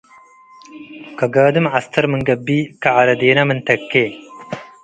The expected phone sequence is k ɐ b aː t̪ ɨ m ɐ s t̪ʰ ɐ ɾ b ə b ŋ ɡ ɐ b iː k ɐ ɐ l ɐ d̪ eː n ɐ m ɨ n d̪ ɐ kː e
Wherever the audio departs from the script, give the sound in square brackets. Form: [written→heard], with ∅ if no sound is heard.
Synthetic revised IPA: k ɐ [b→ɡ] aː [t̪→d̪] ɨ m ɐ s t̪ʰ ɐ ɾ [b→m] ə [b→∅] ŋ ɡ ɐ b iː k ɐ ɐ [l→ɾ] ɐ d̪ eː n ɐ m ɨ n [d̪→t̪] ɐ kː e